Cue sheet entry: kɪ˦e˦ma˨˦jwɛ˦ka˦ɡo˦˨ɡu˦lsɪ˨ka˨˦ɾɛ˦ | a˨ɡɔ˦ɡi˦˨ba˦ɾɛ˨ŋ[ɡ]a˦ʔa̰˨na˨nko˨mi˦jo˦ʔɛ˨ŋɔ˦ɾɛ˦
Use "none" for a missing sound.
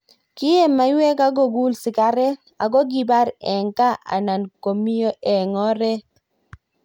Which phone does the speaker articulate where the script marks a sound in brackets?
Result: k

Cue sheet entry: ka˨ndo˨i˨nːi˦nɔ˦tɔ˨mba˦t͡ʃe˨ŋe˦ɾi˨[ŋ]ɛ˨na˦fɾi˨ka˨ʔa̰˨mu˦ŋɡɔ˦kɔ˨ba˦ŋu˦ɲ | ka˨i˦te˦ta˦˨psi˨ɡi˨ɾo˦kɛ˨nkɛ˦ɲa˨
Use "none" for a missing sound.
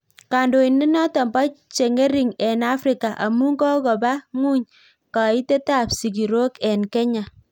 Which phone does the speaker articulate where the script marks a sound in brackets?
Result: ŋ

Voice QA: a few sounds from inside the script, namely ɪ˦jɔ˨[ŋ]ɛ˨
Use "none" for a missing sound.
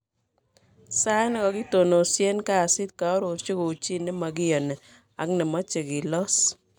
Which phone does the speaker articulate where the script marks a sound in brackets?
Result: n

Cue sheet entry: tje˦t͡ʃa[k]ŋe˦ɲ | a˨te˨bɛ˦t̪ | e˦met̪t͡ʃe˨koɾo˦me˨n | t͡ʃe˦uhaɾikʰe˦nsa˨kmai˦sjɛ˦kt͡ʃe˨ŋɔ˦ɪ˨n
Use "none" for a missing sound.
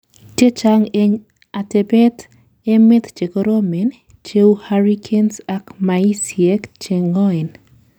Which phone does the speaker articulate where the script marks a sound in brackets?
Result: none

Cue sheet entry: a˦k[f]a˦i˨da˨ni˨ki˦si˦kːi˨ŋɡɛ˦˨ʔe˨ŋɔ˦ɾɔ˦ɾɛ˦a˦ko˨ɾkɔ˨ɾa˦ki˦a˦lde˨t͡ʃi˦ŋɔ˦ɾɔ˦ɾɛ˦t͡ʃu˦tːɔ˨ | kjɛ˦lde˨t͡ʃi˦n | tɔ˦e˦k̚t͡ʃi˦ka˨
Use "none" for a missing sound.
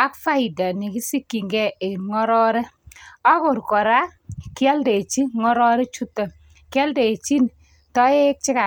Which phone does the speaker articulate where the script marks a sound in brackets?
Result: f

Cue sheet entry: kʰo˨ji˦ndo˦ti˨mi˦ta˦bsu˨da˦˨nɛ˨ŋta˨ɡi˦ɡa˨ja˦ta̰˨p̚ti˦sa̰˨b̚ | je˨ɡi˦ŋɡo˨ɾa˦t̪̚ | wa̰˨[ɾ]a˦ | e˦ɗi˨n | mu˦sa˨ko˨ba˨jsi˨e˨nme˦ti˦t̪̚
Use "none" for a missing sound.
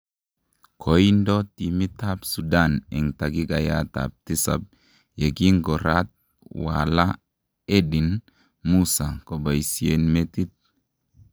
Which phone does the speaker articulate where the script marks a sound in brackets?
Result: l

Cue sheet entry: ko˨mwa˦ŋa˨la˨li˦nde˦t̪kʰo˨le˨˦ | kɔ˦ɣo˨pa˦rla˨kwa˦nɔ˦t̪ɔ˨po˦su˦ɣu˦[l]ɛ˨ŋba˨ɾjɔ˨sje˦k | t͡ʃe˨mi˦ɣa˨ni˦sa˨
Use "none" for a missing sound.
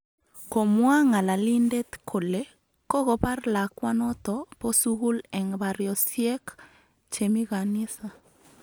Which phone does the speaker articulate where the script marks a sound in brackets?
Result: l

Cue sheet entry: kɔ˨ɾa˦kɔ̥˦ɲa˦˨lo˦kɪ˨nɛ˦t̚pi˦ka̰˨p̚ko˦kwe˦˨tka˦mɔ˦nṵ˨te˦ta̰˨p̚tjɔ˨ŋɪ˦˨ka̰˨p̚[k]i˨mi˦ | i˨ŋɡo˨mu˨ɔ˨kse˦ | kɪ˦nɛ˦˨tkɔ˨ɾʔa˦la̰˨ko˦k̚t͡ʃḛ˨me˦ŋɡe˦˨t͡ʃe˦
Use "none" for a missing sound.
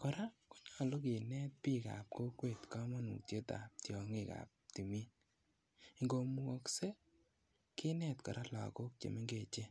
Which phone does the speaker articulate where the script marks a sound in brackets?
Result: t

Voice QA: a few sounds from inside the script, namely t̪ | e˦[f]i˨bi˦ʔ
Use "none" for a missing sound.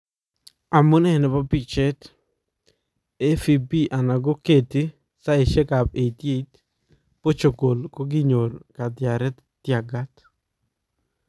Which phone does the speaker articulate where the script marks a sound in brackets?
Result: f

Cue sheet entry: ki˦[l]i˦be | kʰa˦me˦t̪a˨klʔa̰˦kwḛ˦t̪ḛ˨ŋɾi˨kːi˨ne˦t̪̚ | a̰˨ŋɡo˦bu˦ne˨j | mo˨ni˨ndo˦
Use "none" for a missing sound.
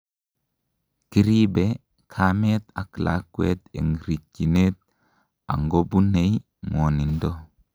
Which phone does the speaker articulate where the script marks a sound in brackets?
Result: ɾ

